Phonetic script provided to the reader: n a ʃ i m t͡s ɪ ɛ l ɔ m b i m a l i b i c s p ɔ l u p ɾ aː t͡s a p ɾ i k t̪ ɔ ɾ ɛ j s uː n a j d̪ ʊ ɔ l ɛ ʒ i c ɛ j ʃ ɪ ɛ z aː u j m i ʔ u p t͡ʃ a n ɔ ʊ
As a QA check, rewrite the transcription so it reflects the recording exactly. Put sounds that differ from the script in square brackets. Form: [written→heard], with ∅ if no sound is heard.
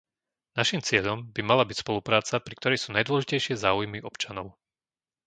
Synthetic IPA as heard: n a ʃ i m t͡s ɪ ɛ [l→ʎ] ɔ m b i m a l [i→a] b i c s p ɔ l u p ɾ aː t͡s a p ɾ i k t̪ ɔ ɾ ɛ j s uː n a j d̪ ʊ ɔ l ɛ ʒ i c ɛ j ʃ ɪ ɛ z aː u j m i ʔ [u→ɔ] p t͡ʃ a n ɔ ʊ